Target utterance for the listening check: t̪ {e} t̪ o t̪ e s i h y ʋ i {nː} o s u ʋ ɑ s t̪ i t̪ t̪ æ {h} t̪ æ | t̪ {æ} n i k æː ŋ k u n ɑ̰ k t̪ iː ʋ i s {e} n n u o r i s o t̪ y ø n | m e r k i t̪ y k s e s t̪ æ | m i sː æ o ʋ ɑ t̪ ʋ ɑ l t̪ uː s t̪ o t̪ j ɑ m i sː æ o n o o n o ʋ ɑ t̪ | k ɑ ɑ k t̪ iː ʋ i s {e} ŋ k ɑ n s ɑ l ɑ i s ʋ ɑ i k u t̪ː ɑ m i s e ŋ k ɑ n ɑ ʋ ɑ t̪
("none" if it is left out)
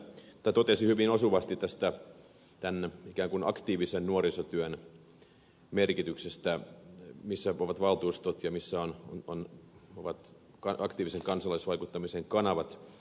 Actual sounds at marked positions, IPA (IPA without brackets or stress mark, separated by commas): æ, n, s, æ, e, e